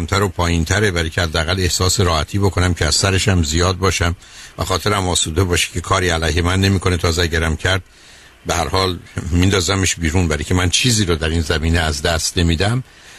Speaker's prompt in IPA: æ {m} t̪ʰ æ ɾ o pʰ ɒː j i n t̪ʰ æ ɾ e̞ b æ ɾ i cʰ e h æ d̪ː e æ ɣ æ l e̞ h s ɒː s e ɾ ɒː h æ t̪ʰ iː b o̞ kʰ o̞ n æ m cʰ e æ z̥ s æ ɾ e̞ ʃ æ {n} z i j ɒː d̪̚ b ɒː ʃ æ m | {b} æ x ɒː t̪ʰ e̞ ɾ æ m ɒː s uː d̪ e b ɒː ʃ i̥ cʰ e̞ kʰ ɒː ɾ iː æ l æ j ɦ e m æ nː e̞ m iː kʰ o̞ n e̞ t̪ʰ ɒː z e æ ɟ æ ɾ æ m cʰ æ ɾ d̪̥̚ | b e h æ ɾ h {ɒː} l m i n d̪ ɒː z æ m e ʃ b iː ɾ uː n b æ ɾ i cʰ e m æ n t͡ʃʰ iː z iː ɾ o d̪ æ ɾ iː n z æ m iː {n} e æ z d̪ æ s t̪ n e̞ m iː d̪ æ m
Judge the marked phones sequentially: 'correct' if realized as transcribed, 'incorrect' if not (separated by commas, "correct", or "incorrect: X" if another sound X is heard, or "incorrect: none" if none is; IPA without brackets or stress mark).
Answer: correct, incorrect: m, incorrect: v, correct, correct